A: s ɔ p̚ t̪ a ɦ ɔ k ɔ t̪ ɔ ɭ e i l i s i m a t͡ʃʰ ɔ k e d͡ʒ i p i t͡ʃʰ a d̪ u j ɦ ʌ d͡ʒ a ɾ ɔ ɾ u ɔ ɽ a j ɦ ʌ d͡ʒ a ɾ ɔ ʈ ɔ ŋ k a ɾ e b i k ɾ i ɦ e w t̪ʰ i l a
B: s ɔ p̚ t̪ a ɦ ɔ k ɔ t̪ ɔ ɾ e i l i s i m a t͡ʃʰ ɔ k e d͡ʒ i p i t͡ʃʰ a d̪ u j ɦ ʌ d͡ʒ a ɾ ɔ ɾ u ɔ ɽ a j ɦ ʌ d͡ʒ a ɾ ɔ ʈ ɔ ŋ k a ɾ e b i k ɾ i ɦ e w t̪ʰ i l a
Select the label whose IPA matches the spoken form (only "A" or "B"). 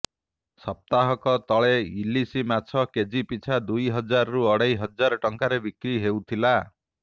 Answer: A